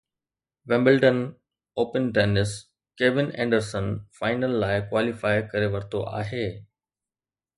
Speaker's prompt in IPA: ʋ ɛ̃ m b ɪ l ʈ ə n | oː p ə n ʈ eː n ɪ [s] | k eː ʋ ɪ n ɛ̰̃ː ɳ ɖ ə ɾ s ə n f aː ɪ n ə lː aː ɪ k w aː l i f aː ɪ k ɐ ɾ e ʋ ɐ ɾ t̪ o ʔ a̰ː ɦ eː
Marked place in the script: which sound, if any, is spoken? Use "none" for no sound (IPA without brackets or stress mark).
s